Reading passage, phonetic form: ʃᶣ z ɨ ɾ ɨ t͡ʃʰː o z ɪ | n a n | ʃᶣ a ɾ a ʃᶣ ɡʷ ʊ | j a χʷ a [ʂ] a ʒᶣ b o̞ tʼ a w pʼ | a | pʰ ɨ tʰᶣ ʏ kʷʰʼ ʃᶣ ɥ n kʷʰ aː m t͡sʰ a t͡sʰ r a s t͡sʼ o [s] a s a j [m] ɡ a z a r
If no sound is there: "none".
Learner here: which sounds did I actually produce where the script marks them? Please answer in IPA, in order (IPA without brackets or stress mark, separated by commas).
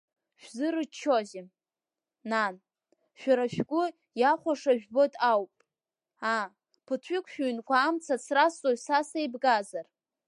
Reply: ʂ, s, b